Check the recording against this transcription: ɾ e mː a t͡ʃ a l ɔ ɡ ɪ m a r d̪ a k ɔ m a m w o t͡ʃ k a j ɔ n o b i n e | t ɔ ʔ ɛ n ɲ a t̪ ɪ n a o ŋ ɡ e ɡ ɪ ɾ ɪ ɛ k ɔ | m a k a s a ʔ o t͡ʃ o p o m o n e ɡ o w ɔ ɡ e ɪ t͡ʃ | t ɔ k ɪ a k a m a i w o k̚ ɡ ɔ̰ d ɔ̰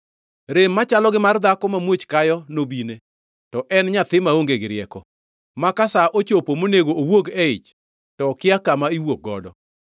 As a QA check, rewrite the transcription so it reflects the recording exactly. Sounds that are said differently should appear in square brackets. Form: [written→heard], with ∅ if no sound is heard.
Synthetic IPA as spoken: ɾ e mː a t͡ʃ a l ɔ ɡ ɪ m a r d̪ a k ɔ m a m w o t͡ʃ k a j ɔ n o b i n e | t ɔ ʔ ɛ n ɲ a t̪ ɪ [n→m] a o ŋ ɡ e ɡ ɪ ɾ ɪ ɛ k ɔ | m a k a s a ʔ o t͡ʃ o p o m o n e ɡ o w [ɔ→o] ɡ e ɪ t͡ʃ | t ɔ k ɪ a k a m a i w o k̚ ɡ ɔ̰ d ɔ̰